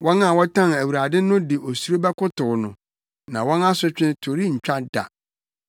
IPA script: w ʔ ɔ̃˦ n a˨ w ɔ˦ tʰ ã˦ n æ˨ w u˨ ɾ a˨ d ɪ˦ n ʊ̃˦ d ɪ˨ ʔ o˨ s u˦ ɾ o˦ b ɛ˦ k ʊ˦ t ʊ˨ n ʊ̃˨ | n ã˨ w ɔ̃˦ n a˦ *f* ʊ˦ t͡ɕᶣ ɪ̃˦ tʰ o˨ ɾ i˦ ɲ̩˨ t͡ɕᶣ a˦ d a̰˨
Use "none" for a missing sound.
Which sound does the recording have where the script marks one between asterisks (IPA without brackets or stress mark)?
s